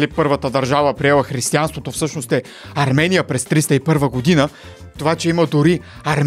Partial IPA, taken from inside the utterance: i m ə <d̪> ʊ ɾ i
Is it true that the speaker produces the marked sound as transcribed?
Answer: yes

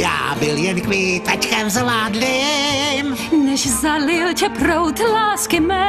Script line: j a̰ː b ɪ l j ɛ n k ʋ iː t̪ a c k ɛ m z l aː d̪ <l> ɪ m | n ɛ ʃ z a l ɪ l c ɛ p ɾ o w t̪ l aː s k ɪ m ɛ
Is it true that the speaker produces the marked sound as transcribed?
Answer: yes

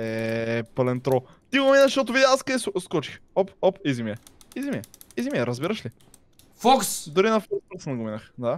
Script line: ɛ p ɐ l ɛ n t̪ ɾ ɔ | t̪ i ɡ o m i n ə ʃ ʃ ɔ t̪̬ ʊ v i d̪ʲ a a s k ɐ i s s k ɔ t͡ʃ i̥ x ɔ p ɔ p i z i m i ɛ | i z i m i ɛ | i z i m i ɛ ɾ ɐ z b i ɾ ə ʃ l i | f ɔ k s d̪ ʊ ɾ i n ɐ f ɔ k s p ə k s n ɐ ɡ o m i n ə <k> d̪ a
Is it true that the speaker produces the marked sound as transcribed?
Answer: no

